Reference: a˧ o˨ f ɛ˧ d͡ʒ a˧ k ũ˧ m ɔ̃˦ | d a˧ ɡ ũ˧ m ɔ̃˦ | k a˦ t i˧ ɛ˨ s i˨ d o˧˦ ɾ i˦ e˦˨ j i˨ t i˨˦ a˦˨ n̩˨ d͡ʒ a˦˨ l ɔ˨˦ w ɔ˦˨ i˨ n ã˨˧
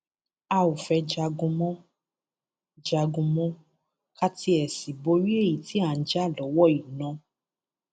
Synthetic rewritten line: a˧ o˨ f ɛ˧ d͡ʒ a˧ ɡ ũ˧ m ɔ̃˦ | d͡ʒ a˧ ɡ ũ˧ m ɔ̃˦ | k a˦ t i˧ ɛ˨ s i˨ b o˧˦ ɾ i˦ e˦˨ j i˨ t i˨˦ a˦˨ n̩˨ d͡ʒ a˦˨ l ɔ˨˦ w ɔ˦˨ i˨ n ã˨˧